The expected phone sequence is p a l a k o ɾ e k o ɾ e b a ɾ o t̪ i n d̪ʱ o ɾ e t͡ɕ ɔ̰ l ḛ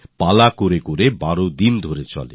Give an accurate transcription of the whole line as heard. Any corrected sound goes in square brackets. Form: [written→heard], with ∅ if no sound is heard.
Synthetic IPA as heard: p a l a k o ɾ e k o ɾ e b a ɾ o [t̪→d̪] i n d̪ʱ o ɾ e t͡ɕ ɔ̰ l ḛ